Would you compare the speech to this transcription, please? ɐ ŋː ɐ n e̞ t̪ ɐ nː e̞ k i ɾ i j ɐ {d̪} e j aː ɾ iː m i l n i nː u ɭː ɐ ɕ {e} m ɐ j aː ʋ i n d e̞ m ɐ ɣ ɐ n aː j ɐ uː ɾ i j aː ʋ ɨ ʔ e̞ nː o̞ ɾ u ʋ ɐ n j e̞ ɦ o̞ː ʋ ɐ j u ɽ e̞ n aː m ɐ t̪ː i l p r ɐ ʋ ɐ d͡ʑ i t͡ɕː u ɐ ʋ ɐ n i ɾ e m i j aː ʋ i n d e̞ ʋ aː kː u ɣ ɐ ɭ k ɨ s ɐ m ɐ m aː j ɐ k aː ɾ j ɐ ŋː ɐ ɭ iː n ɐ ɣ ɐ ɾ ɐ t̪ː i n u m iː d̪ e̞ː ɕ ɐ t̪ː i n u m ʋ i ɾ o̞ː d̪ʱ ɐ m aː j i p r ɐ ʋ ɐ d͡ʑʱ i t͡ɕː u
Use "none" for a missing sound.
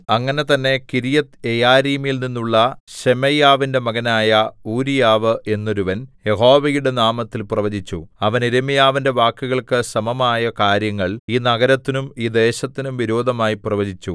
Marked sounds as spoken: t̪, e

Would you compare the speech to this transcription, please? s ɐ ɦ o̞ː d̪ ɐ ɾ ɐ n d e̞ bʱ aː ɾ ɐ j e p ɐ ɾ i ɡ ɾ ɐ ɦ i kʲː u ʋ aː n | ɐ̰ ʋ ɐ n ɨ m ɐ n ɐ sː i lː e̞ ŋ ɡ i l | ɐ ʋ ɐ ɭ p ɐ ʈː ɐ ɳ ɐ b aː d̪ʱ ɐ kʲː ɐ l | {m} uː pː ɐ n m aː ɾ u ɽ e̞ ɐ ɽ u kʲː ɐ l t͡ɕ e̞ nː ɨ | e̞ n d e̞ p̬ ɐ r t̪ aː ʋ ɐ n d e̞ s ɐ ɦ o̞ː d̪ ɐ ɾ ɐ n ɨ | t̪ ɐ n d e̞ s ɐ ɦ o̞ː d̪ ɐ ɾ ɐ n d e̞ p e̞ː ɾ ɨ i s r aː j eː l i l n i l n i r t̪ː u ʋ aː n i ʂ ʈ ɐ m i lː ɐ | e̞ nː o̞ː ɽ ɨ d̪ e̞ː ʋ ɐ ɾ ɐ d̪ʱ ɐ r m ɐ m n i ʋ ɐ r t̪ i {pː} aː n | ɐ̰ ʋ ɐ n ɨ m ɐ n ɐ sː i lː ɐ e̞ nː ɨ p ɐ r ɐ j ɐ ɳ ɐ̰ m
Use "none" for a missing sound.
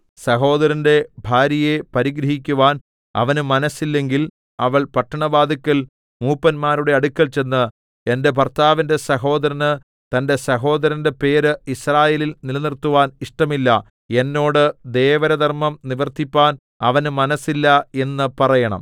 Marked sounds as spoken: m, pː

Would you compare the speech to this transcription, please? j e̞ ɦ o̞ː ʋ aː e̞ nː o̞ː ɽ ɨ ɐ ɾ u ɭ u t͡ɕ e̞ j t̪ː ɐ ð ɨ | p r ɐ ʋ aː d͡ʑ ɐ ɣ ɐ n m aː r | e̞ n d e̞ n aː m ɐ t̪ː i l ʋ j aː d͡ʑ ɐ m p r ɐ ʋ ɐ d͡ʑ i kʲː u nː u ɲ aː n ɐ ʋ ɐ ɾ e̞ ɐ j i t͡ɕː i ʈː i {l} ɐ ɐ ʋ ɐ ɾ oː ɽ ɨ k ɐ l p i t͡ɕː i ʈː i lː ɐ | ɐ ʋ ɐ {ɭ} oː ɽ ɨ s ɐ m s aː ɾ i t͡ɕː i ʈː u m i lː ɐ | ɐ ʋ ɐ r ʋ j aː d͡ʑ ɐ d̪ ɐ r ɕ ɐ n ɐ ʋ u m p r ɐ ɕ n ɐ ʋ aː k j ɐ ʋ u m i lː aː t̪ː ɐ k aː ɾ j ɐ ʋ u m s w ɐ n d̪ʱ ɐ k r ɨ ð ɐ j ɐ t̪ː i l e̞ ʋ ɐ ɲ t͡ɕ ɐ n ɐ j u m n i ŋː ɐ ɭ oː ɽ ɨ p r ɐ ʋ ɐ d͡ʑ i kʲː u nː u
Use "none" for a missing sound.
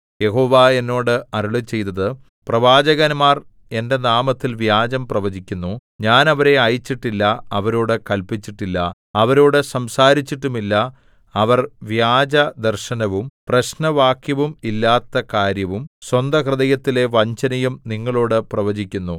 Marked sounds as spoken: lː, ɾ

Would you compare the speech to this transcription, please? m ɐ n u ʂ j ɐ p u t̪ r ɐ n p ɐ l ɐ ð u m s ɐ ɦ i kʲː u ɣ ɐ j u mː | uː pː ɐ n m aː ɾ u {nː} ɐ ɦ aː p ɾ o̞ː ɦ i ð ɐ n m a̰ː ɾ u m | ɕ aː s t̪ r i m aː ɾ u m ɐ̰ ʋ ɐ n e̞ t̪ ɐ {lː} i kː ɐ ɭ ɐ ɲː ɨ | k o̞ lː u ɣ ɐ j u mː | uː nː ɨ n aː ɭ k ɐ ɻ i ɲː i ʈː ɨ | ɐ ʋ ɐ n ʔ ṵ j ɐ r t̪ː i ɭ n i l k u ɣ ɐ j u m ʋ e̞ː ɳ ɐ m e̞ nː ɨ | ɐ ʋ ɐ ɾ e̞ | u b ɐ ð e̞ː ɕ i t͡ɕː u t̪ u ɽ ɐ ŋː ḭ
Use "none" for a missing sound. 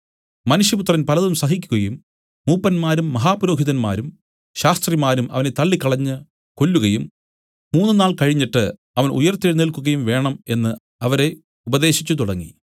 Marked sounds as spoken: mː, ɭː

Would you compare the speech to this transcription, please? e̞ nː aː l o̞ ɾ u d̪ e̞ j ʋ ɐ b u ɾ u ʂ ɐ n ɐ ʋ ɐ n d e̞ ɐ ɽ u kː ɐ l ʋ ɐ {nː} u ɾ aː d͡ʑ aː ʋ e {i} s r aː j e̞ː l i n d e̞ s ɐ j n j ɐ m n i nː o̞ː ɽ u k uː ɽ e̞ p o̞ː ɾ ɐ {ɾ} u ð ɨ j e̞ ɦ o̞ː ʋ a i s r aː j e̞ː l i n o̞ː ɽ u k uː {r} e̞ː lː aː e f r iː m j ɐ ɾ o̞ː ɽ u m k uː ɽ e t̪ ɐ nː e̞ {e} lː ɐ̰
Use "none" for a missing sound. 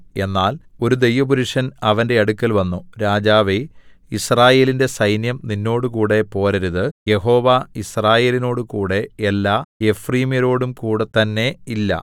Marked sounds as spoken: nː, i, ɾ, ɽ, i

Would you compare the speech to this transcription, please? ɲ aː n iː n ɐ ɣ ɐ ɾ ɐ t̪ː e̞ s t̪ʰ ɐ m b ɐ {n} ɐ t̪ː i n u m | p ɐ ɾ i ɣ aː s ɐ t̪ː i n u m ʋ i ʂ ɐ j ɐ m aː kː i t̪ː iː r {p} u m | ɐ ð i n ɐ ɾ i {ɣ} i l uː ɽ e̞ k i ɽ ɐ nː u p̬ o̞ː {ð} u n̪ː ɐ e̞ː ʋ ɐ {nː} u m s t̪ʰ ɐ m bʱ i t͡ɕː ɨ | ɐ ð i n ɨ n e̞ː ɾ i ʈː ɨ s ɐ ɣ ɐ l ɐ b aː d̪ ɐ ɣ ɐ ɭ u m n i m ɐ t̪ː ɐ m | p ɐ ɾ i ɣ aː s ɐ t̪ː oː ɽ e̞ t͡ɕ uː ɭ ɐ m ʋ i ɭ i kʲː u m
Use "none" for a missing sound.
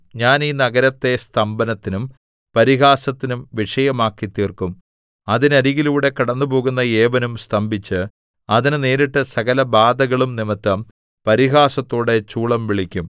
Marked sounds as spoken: n, k, ɣ, ɣ, n

